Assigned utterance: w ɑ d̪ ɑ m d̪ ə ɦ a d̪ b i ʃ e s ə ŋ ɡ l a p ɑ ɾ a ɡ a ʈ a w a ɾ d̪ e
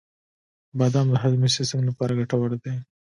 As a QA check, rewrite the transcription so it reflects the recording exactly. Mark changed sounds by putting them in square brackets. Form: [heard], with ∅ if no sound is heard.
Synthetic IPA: [b] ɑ d̪ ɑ m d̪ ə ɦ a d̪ [m] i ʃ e s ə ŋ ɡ l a p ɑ ɾ a ɡ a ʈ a w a ɾ d̪ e